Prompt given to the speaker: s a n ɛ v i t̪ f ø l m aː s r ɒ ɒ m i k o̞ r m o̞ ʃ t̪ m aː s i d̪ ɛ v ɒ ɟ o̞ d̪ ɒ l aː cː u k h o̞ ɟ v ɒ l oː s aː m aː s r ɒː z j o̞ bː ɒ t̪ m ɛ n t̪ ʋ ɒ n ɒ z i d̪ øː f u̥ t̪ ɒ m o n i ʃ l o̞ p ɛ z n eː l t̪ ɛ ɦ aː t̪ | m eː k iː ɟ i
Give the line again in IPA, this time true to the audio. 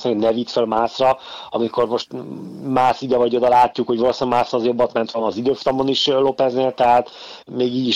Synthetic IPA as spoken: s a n ɛ v i t̪ f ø l m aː s r ɒ ɒ m i k o̞ r m o̞ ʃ t̪ m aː s i d̪ ɛ v ɒ ɟ o̞ d̪ ɒ l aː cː u k h o̞ ɟ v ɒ l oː s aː m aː s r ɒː z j o̞ bː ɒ t̪ m ɛ n t̪ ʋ ɒ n ɒ z i d̪ øː f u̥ t̪ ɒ m o n i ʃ l o̞ p ɛ z n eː l t̪ ɛ ɦ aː t̪ | m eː ɡ iː ɟ i